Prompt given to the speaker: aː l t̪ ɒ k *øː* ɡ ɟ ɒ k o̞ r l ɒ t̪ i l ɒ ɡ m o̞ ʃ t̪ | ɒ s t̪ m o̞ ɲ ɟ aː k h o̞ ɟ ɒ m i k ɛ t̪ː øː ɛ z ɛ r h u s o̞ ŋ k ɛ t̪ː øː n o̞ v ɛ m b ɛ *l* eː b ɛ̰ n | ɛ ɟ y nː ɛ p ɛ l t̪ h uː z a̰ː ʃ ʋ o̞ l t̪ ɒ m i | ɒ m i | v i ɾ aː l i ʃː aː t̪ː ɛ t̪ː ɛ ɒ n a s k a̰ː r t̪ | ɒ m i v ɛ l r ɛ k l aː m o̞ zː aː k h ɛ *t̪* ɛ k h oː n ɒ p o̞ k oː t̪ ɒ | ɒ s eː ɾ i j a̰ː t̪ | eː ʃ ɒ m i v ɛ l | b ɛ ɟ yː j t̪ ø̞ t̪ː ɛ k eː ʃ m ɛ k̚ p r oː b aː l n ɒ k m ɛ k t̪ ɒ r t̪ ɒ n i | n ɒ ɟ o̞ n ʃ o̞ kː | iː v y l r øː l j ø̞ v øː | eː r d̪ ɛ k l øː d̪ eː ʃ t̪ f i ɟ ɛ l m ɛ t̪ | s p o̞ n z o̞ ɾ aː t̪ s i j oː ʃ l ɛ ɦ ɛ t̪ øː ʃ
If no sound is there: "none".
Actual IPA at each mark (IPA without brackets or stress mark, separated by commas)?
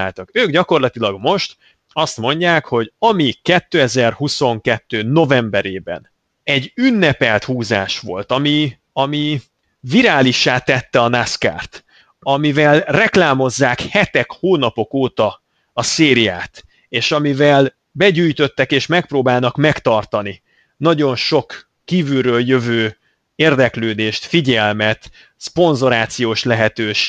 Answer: øː, ɾ, t̪